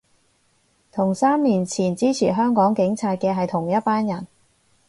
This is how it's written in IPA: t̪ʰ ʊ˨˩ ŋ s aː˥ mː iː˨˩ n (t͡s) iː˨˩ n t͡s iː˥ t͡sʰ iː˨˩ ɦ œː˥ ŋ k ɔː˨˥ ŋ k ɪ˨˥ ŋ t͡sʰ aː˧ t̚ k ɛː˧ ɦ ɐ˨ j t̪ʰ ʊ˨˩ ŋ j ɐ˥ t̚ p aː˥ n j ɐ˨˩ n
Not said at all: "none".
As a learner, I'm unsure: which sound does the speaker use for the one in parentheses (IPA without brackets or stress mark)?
t͡sʰ